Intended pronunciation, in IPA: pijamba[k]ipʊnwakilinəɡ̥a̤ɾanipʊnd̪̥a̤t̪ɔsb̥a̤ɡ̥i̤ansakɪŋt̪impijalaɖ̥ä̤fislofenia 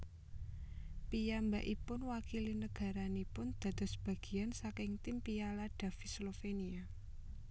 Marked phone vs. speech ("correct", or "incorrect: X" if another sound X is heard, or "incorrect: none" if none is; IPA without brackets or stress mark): incorrect: ʔ